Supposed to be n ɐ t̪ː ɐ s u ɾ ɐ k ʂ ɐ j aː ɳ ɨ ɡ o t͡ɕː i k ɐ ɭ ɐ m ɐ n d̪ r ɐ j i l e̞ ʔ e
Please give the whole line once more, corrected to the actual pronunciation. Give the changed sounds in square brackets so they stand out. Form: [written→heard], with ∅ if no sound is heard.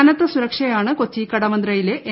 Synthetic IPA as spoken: n ɐ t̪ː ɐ s u ɾ ɐ k ʂ ɐ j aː ɳ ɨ [ɡ→k] o t͡ɕː i k ɐ [ɭ→ɽ] ɐ m ɐ n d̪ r ɐ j i l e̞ ʔ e